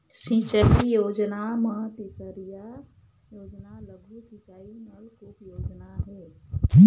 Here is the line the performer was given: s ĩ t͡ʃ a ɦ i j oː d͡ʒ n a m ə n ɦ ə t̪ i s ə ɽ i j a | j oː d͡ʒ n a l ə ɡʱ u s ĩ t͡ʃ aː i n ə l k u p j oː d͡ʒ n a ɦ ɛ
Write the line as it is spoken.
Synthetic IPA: s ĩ t͡ʃ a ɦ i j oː d͡ʒ n a m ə ɦ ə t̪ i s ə ɾ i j a | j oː d͡ʒ n a l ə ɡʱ u s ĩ t͡ʃ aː i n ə l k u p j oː d͡ʒ n a ɦ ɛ